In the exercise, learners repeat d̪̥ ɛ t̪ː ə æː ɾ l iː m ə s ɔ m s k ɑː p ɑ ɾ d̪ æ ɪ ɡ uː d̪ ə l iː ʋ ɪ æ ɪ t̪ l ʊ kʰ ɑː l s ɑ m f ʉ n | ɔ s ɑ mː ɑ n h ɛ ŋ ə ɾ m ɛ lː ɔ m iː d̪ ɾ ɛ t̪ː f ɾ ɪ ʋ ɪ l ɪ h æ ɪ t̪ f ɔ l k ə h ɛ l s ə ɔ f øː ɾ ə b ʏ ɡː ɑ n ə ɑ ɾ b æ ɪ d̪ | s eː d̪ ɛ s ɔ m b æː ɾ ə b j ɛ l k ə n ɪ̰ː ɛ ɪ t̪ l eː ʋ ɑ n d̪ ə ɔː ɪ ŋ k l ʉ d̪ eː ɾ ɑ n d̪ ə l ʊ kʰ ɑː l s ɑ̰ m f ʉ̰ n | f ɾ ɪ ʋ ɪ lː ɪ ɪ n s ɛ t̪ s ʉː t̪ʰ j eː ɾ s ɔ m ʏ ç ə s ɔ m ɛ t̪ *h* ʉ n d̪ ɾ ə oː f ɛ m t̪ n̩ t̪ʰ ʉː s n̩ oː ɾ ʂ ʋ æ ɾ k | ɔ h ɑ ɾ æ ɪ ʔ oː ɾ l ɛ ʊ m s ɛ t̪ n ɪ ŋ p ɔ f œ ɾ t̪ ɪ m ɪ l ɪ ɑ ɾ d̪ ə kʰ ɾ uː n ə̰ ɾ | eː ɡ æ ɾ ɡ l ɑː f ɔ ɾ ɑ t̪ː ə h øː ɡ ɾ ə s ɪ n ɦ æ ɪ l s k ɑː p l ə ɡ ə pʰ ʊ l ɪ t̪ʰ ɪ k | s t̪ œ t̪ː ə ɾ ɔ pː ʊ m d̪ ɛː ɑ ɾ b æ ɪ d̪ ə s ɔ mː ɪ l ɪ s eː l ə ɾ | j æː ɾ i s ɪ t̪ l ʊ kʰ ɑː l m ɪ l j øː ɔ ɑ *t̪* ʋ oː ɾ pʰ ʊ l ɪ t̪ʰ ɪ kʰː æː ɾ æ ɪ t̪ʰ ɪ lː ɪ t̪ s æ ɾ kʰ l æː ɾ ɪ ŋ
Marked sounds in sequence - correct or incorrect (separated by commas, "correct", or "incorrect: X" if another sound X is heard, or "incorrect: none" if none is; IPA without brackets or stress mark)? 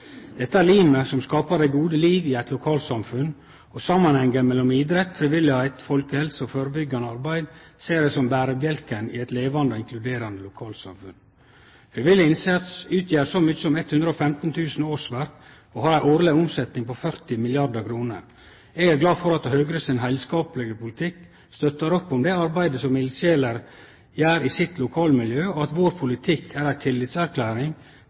correct, correct